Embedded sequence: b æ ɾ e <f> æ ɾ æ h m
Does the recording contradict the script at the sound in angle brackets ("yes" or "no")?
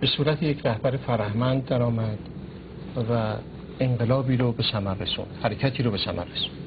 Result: no